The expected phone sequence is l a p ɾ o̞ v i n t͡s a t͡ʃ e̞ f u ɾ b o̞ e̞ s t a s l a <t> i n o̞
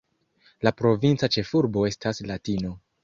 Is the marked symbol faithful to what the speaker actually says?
yes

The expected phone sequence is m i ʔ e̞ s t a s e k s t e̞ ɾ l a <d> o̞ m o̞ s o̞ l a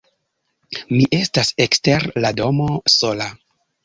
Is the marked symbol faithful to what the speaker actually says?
yes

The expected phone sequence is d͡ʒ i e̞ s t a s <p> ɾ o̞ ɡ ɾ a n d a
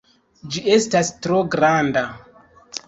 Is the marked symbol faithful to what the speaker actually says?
no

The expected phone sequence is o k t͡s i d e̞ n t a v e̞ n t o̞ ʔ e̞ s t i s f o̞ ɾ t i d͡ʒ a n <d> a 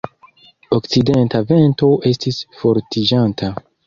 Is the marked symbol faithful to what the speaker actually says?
no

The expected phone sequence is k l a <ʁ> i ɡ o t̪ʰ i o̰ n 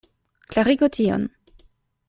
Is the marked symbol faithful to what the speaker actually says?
yes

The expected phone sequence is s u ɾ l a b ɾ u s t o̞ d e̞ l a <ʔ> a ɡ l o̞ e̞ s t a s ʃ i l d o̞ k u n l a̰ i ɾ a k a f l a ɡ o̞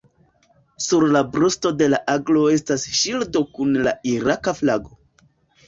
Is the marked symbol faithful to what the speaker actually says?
yes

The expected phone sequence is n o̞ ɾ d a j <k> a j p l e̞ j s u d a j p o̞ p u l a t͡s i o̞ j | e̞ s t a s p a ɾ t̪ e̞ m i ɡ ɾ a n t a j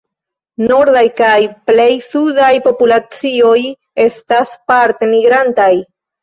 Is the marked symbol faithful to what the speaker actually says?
yes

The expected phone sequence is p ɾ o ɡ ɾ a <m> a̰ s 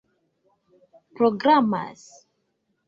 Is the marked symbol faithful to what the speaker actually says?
yes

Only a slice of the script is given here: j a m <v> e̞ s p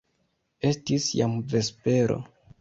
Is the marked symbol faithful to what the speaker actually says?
yes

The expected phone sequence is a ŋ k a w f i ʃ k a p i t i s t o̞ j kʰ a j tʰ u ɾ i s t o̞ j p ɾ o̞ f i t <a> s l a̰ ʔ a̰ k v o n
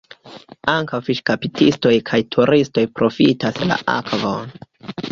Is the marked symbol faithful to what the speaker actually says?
yes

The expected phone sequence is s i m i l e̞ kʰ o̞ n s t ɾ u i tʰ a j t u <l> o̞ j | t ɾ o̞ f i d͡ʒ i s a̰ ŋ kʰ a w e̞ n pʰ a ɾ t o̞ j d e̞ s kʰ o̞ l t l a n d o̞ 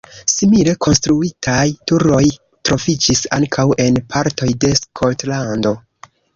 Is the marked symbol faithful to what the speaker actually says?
no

